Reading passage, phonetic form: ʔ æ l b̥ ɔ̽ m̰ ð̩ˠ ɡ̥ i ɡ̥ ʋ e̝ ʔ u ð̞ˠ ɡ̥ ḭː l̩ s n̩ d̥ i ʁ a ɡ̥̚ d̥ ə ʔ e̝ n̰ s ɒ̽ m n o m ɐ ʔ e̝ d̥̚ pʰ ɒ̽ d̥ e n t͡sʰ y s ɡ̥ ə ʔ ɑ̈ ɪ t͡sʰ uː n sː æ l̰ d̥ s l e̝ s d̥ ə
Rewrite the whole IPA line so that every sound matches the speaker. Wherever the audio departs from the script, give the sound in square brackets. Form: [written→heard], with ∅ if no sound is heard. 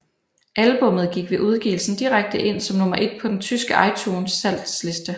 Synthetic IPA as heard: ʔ æ l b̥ ɔ̽ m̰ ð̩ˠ ɡ̥ i ɡ̥ ʋ e̝ ʔ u ð̞ˠ ɡ̥ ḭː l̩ s n̩ d̥ i ʁ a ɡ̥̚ d̥ ə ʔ e̝ n̰ s ɒ̽ m n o m ɐ ʔ e̝ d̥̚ pʰ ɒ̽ d̥ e n t͡sʰ y s ɡ̥ ə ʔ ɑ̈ ɪ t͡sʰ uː n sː æ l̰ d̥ s l e̝ s d̥ ə